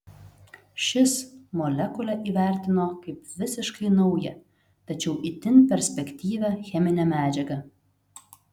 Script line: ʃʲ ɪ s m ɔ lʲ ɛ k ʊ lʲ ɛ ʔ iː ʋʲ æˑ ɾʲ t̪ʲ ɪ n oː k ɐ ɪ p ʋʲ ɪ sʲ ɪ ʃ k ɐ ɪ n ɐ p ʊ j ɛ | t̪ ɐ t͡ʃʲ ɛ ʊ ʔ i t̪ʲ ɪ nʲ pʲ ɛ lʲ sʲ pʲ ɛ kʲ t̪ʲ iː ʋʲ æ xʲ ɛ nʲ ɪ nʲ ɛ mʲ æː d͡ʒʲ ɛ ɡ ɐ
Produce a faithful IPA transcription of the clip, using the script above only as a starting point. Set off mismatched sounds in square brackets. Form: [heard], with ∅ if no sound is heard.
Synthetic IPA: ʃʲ ɪ s m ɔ lʲ ɛ k ʊ lʲ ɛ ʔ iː ʋʲ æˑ ɾʲ t̪ʲ ɪ n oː k ɐ ɪ p ʋʲ ɪ sʲ ɪ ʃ k ɐ ɪ n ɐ [∅] ʊ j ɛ | t̪ ɐ t͡ʃʲ ɛ ʊ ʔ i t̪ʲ ɪ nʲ pʲ ɛ [ɾʲ] sʲ pʲ ɛ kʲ t̪ʲ iː ʋʲ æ xʲ ɛ [mʲ] ɪ nʲ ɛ mʲ æː d͡ʒʲ ɛ ɡ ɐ

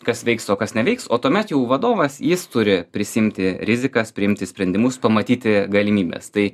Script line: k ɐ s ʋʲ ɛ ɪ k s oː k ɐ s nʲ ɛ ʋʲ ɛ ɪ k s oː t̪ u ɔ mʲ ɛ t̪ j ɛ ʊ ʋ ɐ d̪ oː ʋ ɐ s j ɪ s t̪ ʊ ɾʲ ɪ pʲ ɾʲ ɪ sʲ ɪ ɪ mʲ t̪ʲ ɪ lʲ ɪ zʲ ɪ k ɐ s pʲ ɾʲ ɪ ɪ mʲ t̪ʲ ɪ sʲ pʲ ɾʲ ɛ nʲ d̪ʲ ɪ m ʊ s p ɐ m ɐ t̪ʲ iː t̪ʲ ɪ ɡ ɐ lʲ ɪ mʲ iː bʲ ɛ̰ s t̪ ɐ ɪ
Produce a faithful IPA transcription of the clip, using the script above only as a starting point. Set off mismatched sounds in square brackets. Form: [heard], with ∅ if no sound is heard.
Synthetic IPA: k ɐ s ʋʲ ɛ ɪ k s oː k ɐ s nʲ ɛ ʋʲ ɛ ɪ k s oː t̪ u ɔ mʲ ɛ t̪ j ɛ ʊ ʋ ɐ d̪ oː ʋ ɐ s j ɪ s t̪ ʊ ɾʲ ɪ pʲ ɾʲ ɪ sʲ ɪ ɪ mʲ t̪ʲ ɪ [ɾʲ] ɪ zʲ ɪ k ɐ s pʲ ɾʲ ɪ ɪ mʲ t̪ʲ ɪ sʲ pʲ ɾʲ ɛ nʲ d̪ʲ ɪ m ʊ s p ɐ m ɐ t̪ʲ iː t̪ʲ ɪ ɡ ɐ lʲ ɪ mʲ iː bʲ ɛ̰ s t̪ ɐ ɪ

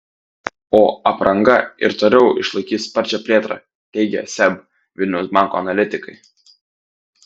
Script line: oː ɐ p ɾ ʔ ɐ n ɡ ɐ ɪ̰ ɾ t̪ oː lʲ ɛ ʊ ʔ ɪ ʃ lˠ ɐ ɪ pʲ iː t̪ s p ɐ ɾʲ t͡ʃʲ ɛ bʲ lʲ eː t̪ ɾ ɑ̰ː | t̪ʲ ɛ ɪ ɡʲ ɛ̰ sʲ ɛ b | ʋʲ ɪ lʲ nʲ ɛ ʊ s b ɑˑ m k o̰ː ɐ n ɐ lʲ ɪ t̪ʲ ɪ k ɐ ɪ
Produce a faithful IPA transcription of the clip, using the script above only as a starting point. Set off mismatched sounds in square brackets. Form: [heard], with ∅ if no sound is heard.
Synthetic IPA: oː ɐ p ɾ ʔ ɐ [ŋ] ɡ ɐ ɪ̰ ɾ t̪ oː lʲ ɛ ʊ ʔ ɪ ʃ lˠ ɐ ɪ [kʲ] iː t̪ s p ɐ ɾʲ t͡ʃʲ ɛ [pʲ] lʲ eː t̪ ɾ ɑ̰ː | t̪ʲ ɛ ɪ ɡʲ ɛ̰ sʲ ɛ b | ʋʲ ɪ lʲ nʲ ɛ ʊ s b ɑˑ [ŋ] k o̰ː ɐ n ɐ lʲ ɪ t̪ʲ ɪ k ɐ ɪ

